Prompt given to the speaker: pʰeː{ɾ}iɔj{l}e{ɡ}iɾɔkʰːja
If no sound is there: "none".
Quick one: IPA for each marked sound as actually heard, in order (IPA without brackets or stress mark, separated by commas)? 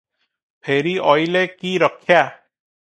ɾ, l, k